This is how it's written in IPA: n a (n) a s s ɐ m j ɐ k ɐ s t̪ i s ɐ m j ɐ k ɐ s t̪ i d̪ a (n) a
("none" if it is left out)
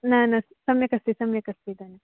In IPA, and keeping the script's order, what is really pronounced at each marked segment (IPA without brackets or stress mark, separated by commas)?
n, n